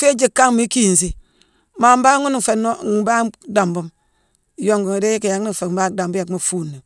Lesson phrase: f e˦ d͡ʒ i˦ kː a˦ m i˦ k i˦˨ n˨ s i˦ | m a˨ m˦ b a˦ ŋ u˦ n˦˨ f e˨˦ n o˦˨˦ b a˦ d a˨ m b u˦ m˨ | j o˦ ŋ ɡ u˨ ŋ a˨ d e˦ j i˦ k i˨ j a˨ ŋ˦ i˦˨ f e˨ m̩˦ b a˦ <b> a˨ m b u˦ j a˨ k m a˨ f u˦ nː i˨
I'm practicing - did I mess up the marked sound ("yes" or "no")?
yes